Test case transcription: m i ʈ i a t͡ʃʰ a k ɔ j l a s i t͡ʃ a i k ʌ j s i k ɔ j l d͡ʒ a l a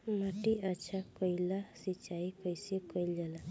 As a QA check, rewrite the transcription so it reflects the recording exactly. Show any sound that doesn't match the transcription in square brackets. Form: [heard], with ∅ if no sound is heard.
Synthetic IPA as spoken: m [a] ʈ i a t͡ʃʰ a k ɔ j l a s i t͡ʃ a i k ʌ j s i k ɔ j l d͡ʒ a l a